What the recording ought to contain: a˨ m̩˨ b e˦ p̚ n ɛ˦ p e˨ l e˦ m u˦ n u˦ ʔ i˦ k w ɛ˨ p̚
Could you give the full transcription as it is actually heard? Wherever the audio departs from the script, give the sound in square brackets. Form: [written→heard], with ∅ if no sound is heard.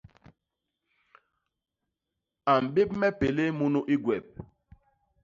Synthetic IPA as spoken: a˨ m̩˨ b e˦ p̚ [n→m] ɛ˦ p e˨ l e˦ m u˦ n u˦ ʔ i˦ [k→ɡ] w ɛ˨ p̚